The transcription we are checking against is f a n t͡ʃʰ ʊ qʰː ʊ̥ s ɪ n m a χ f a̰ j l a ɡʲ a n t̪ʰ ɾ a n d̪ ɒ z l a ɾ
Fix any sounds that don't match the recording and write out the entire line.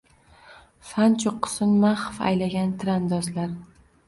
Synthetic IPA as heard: f a n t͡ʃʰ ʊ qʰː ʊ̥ s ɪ n m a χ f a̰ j l a ɡʲ a n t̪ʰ ɾ a n d̪ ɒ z l a ɾ